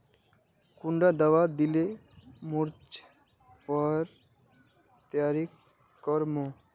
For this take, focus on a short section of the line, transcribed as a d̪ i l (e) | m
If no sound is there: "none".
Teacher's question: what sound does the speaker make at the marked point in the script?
e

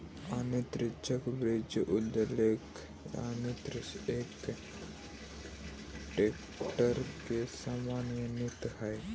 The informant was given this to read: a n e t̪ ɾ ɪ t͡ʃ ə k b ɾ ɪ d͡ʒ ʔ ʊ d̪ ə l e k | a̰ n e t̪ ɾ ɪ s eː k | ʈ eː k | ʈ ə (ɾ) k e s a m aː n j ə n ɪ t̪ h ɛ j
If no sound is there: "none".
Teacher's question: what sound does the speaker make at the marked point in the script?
ɾ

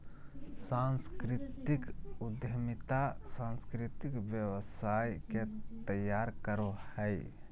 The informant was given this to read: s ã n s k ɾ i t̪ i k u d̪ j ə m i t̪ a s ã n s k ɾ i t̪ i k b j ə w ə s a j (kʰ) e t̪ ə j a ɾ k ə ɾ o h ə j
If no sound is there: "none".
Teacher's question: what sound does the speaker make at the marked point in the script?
k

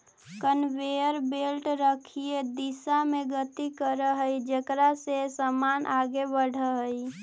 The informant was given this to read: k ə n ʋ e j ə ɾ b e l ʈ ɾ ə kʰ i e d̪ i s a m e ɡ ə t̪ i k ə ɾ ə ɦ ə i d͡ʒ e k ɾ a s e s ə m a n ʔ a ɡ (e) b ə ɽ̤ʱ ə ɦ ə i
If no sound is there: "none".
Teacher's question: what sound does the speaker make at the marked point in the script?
e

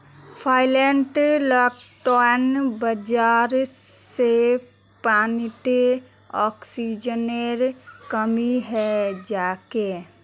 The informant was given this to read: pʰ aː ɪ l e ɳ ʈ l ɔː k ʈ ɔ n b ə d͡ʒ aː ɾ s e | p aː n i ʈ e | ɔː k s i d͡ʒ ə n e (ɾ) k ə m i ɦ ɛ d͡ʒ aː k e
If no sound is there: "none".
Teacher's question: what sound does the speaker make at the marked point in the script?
ɾ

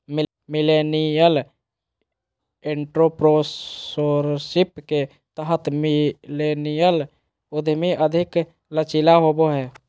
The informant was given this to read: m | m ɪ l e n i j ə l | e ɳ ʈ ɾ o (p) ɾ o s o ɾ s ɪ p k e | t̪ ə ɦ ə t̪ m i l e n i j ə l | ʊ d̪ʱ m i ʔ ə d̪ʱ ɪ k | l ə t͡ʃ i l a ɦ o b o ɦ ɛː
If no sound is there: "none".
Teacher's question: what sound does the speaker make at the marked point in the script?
p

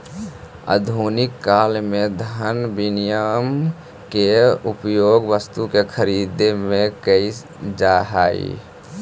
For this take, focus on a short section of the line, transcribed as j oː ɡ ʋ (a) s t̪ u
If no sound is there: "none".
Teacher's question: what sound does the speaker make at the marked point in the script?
ə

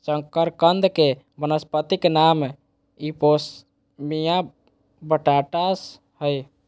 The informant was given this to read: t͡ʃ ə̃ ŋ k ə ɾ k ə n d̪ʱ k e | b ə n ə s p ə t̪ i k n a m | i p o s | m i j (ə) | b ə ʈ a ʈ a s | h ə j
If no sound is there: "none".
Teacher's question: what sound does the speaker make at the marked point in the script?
a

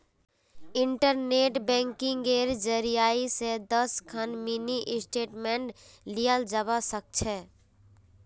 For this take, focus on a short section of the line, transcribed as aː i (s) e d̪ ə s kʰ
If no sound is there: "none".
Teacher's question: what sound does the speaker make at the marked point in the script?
s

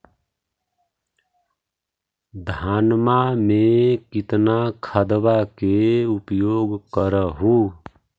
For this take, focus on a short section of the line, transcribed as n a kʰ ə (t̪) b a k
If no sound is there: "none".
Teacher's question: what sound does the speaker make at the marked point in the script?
d̪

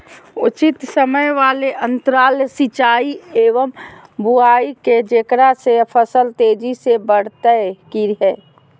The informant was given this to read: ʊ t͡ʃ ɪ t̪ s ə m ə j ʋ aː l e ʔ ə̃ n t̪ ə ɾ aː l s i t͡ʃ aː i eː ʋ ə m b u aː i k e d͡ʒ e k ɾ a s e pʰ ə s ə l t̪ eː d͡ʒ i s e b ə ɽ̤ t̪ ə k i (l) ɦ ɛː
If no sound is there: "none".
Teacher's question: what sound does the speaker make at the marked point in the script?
ɾ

